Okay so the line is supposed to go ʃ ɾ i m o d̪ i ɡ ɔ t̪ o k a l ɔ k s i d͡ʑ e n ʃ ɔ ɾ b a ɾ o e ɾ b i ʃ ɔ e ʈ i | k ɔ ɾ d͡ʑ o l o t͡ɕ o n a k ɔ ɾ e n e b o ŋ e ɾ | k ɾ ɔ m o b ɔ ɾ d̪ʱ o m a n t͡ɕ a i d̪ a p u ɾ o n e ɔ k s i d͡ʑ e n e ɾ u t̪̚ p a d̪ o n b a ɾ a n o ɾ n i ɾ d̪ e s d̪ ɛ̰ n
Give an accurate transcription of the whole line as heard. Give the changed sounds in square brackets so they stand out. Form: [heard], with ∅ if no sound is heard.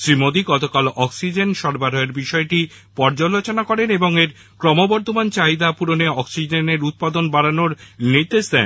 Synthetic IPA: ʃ ɾ i m o d̪ i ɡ ɔ t̪ o k a l ɔ k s i d͡ʑ e n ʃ ɔ ɾ b a ɾ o e ɾ b i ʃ ɔ e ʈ i | [p] ɔ ɾ d͡ʑ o l o t͡ɕ o n a k ɔ ɾ e n e b o ŋ e ɾ | k ɾ ɔ m o b ɔ ɾ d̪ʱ o m a n t͡ɕ a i d̪ a p u ɾ o n e ɔ k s i d͡ʑ e n e ɾ u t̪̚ p a d̪ o n b a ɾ a n o ɾ n i ɾ d̪ e [ʃ] d̪ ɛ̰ n